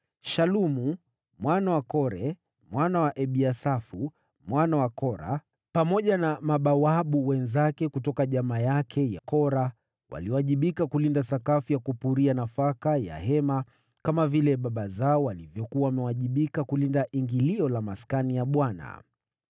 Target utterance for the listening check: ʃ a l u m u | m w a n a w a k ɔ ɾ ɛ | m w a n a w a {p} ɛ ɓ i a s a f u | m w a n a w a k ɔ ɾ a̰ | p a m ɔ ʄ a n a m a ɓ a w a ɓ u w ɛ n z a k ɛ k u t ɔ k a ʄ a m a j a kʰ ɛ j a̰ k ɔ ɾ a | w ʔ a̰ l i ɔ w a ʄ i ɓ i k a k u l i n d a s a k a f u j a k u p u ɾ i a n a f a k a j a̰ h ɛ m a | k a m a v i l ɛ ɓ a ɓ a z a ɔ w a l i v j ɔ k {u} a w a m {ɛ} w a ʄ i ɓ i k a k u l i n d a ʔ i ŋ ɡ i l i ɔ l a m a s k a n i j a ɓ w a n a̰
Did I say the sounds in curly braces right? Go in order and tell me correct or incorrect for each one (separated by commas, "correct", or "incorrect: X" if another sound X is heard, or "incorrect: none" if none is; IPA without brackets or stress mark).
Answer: incorrect: ʔ, correct, correct